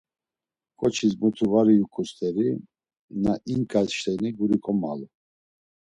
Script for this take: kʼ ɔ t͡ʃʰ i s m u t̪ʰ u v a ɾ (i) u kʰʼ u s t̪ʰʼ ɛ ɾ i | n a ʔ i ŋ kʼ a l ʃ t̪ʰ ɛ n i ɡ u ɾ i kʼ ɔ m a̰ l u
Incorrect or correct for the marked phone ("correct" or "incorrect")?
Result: correct